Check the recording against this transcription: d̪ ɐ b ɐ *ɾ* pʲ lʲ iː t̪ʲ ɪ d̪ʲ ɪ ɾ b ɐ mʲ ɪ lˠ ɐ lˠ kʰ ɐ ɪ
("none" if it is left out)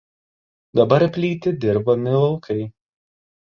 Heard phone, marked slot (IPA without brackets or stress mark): ɾ